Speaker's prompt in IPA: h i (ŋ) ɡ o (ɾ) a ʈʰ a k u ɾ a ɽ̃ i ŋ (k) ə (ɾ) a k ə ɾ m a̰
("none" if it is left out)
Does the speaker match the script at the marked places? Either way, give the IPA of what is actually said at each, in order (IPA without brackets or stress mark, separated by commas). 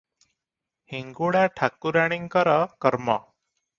ŋ, ɽ, k, ɾ